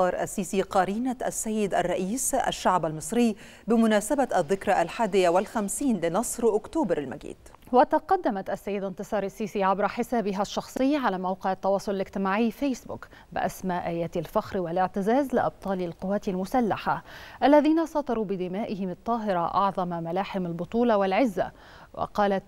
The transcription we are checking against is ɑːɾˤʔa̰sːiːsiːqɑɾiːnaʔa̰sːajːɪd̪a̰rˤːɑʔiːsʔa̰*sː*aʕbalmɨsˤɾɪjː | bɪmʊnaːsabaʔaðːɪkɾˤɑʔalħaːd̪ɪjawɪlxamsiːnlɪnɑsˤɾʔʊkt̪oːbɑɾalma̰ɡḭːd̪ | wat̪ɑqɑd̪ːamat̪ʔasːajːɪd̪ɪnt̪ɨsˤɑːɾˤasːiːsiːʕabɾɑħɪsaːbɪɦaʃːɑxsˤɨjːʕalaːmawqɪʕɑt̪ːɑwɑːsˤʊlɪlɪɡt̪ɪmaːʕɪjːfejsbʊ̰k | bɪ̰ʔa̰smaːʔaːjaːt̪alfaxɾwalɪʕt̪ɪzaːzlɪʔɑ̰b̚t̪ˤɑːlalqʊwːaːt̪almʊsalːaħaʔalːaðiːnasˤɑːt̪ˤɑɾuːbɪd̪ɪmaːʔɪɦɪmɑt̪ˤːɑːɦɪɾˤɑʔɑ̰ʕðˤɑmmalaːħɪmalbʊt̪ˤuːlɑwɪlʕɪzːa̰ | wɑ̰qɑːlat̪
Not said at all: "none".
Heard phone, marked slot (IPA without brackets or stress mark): ʃː